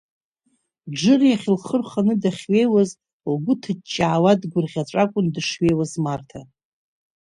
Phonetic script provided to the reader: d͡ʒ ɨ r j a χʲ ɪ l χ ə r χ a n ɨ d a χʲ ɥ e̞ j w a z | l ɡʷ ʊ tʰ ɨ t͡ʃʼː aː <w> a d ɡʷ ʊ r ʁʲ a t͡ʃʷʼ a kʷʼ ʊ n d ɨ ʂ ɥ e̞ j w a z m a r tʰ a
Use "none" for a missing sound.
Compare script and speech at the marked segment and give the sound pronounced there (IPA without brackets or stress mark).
w